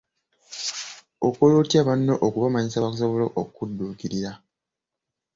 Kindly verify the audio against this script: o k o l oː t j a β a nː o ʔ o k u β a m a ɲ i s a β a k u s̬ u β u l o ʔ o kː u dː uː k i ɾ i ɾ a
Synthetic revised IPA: o k o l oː t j a β a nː o ʔ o k u β a m a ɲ i s a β a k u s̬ o β o l o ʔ o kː u dː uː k i ɾ i ɾ a